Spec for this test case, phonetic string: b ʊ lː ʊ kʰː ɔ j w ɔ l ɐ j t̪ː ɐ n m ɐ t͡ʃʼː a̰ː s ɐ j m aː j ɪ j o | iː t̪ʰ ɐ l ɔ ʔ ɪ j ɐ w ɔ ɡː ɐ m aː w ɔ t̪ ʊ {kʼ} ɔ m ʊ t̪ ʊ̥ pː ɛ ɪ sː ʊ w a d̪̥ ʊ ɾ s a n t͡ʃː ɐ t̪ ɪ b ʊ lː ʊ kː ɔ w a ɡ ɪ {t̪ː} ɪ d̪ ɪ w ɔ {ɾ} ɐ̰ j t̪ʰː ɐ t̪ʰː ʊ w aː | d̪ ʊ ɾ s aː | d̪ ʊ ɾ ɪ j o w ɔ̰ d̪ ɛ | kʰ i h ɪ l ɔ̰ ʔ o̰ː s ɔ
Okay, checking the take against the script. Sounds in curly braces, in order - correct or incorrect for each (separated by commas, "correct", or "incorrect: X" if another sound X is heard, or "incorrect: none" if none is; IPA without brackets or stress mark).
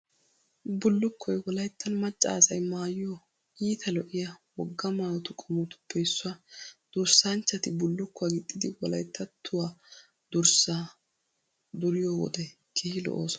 correct, incorrect: t̪ʼː, incorrect: l